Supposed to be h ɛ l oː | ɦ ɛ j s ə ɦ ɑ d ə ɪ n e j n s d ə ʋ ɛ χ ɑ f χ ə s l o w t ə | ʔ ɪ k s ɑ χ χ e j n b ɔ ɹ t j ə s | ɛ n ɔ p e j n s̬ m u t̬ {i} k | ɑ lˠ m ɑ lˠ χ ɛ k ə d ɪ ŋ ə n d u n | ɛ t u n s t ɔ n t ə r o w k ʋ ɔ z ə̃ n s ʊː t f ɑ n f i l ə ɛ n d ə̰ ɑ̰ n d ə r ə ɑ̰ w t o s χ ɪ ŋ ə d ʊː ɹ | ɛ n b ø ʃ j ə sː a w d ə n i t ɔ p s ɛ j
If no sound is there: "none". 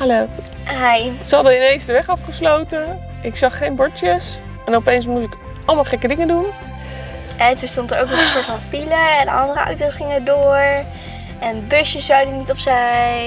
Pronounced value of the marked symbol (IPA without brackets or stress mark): ɪ